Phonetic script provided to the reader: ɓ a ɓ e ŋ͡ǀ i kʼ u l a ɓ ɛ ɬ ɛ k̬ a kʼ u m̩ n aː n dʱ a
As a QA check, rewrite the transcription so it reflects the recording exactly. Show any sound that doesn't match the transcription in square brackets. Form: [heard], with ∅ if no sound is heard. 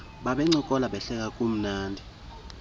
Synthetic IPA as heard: ɓ a ɓ [ɛ] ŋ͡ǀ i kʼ [ɔ] l a ɓ ɛ ɬ ɛ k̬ a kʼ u m̩ n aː n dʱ [i]